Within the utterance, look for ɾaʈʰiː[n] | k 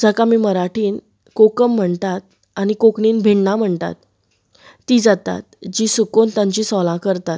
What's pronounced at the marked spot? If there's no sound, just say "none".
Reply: n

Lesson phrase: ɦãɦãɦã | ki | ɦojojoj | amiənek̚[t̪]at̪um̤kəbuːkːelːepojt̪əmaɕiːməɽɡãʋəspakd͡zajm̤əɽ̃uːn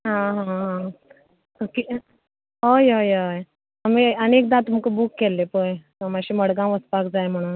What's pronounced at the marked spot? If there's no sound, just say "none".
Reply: d̪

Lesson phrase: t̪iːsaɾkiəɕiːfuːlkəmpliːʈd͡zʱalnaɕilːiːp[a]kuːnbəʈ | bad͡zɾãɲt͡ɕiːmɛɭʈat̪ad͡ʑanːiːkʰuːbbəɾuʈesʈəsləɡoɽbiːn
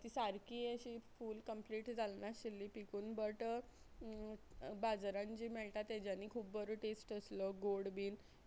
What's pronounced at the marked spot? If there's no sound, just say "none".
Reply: i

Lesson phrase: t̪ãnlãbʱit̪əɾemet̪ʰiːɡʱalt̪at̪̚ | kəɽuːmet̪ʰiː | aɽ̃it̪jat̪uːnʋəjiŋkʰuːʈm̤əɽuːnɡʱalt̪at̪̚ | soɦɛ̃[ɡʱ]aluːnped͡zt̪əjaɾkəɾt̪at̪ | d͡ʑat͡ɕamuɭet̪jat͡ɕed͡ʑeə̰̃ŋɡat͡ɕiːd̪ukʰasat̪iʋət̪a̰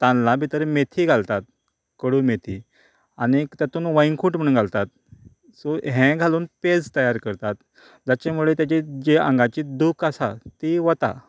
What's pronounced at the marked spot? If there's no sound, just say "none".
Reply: ɡʱ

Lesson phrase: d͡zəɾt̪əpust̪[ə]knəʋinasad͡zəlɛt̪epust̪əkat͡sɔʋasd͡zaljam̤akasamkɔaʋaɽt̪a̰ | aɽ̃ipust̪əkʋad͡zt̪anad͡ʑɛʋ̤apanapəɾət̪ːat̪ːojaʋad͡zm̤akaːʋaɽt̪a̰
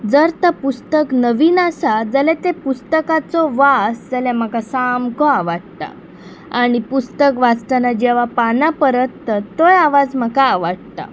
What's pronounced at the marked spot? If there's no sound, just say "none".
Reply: ə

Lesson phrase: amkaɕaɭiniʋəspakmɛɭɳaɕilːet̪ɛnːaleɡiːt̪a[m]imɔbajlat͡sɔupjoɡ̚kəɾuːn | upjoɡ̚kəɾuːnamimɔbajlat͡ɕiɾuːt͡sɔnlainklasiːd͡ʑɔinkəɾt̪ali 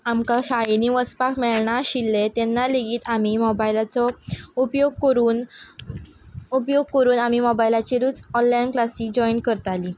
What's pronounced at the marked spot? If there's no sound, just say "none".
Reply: m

